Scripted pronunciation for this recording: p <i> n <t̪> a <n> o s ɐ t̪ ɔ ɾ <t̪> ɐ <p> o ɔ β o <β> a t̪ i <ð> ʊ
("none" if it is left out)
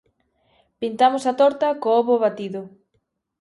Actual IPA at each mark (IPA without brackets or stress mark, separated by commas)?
i, t̪, m, t̪, k, β, ð